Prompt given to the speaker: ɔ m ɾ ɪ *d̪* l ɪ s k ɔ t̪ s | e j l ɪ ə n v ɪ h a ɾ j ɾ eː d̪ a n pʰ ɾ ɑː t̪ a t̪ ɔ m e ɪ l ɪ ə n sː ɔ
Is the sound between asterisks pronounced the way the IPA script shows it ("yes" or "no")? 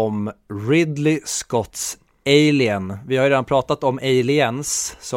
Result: yes